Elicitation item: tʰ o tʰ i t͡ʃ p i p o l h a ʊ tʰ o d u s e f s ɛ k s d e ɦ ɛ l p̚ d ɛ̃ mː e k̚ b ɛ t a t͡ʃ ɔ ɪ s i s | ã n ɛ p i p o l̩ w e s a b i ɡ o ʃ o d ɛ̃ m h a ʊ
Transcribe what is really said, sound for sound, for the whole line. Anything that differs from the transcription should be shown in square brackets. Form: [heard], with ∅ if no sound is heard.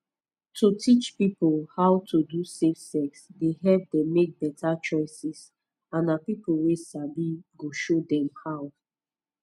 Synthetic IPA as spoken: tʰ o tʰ i t͡ʃ p i p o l h a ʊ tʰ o d u s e f s ɛ k s d e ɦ ɛ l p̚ d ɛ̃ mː e k̚ b ɛ t a t͡ʃ ɔ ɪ s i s | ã n [a] p i p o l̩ w e s a b i ɡ o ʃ o d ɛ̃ m h a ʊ

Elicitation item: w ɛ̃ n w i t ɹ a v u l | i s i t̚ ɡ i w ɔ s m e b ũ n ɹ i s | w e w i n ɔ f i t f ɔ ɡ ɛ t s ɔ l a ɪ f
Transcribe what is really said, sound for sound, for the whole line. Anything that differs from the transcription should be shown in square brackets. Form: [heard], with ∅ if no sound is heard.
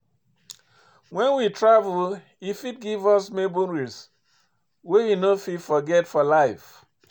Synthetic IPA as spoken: w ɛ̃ n w i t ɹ a v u l | i [f] i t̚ ɡ i [v] ɔ s m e b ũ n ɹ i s | w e w i n [o] f i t f ɔ ɡ ɛ t [f] ɔ l a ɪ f

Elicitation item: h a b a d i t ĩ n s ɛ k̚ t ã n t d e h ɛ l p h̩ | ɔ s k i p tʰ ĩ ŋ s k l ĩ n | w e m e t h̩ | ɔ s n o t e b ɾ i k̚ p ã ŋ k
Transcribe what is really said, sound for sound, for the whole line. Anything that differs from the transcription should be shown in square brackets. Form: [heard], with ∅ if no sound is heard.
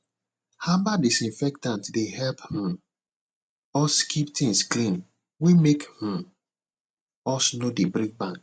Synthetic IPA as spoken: h a b a d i [s] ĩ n [f] ɛ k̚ t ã n t d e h ɛ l p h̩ | ɔ s k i p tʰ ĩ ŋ s k l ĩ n | w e m e [k] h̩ | ɔ s n o [d] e b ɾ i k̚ [b] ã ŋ k

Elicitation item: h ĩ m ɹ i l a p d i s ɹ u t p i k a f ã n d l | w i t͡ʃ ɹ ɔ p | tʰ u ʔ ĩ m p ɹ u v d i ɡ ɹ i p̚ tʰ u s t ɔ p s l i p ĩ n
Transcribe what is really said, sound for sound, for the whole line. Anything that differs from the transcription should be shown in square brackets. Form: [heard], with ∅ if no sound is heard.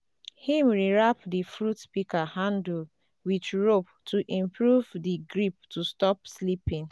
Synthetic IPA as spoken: h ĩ m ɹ i [ɹ] a p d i [f] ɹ u t p i k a [h] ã n d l | w i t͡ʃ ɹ [o] p | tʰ u ʔ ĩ m p ɹ u v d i ɡ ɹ i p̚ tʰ u s t ɔ p s l i p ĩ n

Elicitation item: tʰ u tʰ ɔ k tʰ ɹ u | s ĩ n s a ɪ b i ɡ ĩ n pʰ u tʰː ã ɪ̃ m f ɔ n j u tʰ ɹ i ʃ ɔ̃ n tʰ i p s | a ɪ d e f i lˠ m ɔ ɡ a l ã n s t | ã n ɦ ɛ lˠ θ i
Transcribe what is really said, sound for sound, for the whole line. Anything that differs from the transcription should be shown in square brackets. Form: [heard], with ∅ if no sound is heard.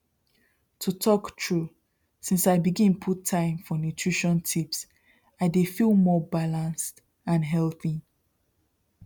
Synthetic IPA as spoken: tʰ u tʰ ɔ k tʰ ɹ u | s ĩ n s a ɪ b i ɡ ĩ n pʰ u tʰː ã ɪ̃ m f ɔ n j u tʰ ɹ i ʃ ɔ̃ n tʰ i p s | a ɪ d e f i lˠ m ɔ [b] a l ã n s t | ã n ɦ ɛ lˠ θ i

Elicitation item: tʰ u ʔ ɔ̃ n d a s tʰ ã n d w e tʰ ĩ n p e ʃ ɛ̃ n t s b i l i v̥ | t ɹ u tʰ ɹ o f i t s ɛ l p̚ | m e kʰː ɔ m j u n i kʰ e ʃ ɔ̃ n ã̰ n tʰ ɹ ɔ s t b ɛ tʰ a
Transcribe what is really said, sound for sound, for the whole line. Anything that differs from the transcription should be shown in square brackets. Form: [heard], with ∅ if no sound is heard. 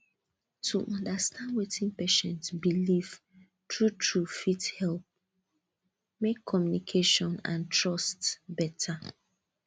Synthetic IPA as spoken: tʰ u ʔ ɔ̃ n d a s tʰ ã n d w e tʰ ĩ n p e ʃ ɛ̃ n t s b i l i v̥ | t ɹ u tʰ ɹ [u] f i t [h] ɛ l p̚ | m e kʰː ɔ m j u n i kʰ e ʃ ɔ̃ n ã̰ n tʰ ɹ ɔ s t b ɛ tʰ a

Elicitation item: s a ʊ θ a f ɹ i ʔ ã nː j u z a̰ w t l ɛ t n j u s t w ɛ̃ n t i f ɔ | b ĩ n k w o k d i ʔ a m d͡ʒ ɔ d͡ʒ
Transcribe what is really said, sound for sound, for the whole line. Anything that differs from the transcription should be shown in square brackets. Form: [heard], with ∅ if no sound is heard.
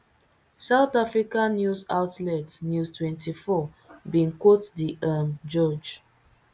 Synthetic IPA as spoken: s a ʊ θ a f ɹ i [k] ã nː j u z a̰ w t l ɛ t n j u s t w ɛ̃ n t i f ɔ | b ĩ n k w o [t] d i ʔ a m d͡ʒ ɔ d͡ʒ

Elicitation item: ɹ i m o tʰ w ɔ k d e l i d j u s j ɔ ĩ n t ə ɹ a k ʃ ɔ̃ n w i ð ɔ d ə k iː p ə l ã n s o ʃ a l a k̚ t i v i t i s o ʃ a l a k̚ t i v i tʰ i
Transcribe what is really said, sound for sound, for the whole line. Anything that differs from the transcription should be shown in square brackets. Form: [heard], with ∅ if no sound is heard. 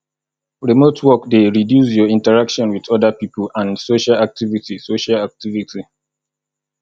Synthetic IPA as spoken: ɹ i m o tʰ w ɔ k d e [ɹ] i d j u s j ɔ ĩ n t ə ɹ a k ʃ ɔ̃ n w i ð ɔ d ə [p] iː p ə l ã n s o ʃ a l a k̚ t i v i t i s o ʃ a l a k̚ t i v i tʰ i

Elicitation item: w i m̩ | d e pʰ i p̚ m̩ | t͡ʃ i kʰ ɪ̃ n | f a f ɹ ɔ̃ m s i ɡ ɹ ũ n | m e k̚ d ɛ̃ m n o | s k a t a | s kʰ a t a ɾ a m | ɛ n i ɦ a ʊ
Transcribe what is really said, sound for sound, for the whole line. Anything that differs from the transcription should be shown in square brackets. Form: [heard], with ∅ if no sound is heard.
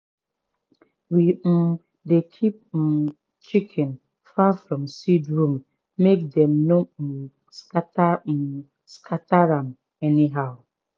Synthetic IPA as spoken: w i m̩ | d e [kʰ] i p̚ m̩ | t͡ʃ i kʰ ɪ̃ n | f a f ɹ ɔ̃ m s i [d] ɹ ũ [m] | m e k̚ d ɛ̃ m n o | s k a t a | s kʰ a t a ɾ a m | ɛ n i ɦ a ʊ

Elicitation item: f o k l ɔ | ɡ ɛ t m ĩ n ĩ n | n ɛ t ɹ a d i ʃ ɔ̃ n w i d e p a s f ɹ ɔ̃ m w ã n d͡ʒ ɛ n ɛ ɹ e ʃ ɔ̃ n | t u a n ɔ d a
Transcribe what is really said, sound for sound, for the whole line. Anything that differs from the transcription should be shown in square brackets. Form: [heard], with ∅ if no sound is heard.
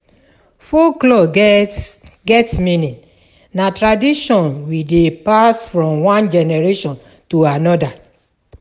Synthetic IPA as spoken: f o k l ɔ | ɡ ɛ t m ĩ n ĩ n | n [a] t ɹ a d i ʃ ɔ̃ n w i d e p a s f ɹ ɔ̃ m w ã n d͡ʒ ɛ n ɛ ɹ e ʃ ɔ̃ n | t u a n ɔ d a

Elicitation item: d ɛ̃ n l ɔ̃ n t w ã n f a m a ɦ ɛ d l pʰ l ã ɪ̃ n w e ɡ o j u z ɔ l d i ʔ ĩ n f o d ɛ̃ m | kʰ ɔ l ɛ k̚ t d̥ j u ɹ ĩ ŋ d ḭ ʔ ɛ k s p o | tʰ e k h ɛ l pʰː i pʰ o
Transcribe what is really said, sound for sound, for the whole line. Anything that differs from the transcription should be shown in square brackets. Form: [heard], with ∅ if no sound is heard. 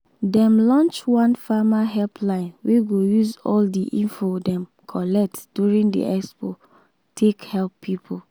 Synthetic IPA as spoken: d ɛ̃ [m] l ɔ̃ n [t͡ʃ] w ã n f a m a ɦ ɛ [∅] l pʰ l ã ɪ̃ n w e ɡ o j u z ɔ l d i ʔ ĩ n f o d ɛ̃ m | kʰ ɔ l ɛ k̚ t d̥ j u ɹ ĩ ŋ d ḭ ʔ ɛ k s p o | tʰ e k h ɛ l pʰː i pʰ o

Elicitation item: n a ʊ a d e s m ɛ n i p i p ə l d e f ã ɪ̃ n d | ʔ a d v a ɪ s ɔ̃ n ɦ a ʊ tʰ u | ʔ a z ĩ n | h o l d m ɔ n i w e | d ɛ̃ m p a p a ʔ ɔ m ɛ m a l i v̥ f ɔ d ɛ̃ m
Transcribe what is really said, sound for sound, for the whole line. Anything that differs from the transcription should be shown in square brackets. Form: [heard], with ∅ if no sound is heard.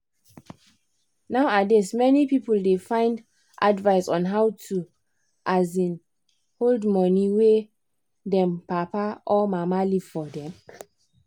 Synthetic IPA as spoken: n a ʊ a d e s m ɛ n i p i p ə l d e f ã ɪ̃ n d | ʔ a d v a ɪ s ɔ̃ n ɦ a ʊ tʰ u | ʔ a z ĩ n | h o l d m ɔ n i w e | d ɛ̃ m p a p a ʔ ɔ m [a] m a l i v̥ f ɔ d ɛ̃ m

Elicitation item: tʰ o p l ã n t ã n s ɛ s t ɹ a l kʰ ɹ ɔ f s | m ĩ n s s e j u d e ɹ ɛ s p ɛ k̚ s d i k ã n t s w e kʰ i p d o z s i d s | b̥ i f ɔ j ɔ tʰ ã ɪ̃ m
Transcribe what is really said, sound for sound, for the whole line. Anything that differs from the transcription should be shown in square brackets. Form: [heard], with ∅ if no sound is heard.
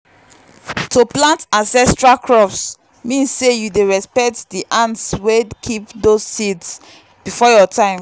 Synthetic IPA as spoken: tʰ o p l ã n t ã n s ɛ s t ɹ a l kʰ ɹ ɔ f s | m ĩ n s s e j u d e ɹ ɛ s p ɛ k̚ [t] d i [ʔ] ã n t s w e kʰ i p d o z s i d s | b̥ i f ɔ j ɔ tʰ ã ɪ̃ m

